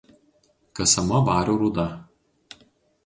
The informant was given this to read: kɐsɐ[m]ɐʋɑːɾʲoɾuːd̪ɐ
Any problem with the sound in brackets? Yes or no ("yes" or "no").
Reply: no